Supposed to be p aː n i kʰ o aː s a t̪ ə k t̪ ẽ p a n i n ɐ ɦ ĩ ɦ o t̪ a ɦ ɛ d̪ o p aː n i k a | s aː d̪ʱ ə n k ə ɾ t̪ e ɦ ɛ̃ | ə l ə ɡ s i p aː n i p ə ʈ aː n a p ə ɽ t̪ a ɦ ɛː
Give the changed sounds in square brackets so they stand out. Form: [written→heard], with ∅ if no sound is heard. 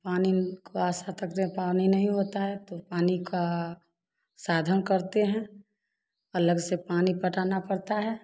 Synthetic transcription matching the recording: p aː n i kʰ o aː s a t̪ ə k t̪ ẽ p a n i n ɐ ɦ ĩ ɦ o t̪ a ɦ ɛ [d̪→t̪] o p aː n i k a | s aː d̪ʱ ə n k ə ɾ t̪ e ɦ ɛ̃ | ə l ə ɡ s [i→e] p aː n i p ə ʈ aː n a p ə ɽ t̪ a ɦ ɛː